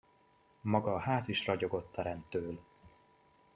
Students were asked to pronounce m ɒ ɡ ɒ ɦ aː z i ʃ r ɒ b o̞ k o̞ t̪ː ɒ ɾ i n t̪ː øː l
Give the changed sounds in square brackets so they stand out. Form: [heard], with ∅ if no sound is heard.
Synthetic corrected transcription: m ɒ ɡ [ɒː] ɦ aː z i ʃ r ɒ [ɟ] o̞ [ɡ] o̞ t̪ː ɒ ɾ [ɛ] n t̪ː øː l

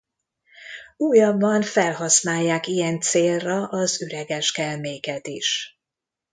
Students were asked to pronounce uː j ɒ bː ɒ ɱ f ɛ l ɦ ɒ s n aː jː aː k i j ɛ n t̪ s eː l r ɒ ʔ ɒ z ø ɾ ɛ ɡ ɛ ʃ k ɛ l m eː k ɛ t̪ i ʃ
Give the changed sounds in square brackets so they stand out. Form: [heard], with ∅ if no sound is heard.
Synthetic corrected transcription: uː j ɒ bː ɒ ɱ f ɛ l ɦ ɒ s n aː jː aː k i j ɛ n t̪ s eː l r ɒ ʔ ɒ z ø ɾ ɛ ɡ ɛ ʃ k ɛ l m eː k ɛ t̪ i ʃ

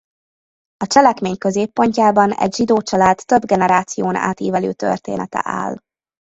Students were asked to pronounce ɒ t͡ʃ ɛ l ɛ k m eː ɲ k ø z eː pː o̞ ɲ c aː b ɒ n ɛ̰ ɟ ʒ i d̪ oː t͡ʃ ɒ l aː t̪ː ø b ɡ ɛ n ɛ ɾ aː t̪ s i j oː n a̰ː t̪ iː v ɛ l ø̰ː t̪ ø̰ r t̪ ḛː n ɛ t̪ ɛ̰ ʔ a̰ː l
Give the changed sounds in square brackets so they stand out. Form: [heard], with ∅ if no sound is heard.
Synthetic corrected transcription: ɒ t͡ʃ ɛ l ɛ k m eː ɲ k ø z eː pː o̞ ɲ c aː b ɒ n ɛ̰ ɟ ʒ i d̪ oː t͡ʃ ɒ l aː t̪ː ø b ɡ ɛ n ɛ ɾ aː t̪ s i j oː n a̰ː t̪ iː v ɛ l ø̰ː t̪ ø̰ r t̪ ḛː n ɛ t̪ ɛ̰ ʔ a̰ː l

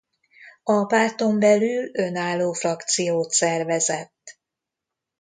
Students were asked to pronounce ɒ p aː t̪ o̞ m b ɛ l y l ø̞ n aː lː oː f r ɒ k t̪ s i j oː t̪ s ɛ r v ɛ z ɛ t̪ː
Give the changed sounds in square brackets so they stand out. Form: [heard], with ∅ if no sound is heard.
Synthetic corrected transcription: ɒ p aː t̪ o̞ m b ɛ l y l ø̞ n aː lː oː f r ɒ k t̪ s i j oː t̪ s ɛ r v ɛ z ɛ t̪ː

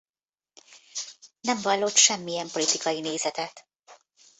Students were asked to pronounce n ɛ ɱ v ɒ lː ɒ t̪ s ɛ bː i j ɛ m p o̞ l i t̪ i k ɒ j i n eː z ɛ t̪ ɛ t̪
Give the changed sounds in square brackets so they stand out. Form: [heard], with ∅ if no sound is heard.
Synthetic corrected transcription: n ɛ ɱ v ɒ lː [o] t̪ [ʃ] ɛ [mː] i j ɛ m p o̞ l i t̪ i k ɒ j i n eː z ɛ t̪ ɛ t̪

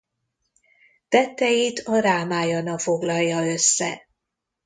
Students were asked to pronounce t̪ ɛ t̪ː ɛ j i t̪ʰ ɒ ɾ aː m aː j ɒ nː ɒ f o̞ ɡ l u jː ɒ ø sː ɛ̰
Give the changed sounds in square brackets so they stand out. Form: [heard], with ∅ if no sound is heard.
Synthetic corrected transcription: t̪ ɛ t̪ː ɛ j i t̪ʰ ɒ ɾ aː m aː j ɒ [n] ɒ f o̞ ɡ l [ɒ] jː ɒ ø sː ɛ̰

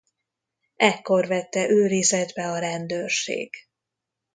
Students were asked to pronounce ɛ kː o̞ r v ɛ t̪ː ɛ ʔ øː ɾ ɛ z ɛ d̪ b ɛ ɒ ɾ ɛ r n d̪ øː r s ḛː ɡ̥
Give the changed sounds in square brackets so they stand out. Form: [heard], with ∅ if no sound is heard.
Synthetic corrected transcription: ɛ kː o̞ r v ɛ t̪ː ɛ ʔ øː ɾ [i] z ɛ d̪ b ɛ ɒ ɾ ɛ [∅] n d̪ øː r [ʃ] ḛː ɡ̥

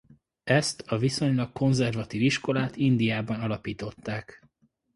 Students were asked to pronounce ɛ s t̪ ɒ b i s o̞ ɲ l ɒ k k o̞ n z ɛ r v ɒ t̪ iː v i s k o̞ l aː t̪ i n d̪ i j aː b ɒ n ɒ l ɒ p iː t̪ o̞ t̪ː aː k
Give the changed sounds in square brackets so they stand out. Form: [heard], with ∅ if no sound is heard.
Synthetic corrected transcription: ɛ s t̪ ɒ [v] i s o̞ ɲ l ɒ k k o̞ n z ɛ r v ɒ t̪ iː v i [ʃ] k o̞ l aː t̪ i n d̪ i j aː b ɒ n ɒ l ɒ p iː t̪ o̞ t̪ː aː k

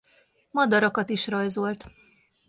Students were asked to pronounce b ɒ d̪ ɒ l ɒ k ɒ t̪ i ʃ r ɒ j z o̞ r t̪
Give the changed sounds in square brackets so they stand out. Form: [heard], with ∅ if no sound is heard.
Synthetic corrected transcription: [m] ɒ d̪ ɒ [ɾ] ɒ k ɒ t̪ i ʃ r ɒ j z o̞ [l] t̪

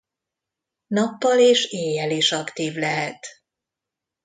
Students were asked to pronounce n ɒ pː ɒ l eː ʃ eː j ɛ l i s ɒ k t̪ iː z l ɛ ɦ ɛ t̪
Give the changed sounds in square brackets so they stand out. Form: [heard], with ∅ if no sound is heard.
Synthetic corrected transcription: n ɒ pː ɒ l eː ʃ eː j ɛ l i [ʃ] ɒ k t̪ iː [v] l ɛ ɦ ɛ t̪

